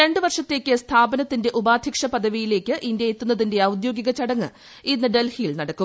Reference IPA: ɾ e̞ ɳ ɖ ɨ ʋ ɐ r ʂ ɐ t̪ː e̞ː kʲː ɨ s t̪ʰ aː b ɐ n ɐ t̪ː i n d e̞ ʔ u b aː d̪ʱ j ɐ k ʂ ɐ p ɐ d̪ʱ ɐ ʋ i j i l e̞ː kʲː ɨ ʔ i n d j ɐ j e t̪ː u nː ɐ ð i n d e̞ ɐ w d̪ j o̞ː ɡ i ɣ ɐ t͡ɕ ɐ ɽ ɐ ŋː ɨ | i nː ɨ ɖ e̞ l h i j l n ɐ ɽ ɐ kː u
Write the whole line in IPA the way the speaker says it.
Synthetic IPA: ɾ e̞ ɳ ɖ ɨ ʋ ɐ r ʂ ɐ t̪ː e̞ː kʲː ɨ s t̪ʰ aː b ɐ n ɐ t̪ː i n d e̞ ʔ u b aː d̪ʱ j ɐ k ʂ ɐ p ɐ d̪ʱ ɐ ʋ i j i l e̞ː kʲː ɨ ʔ i n d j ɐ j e t̪ː u nː ɐ ð i n d e̞ ɐ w d̪ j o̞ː ɡ i ɣ ɐ t͡ɕ ɐ ɽ ɐ ŋː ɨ | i nː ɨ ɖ e̞ l h i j l n ɐ ɽ ɐ kː u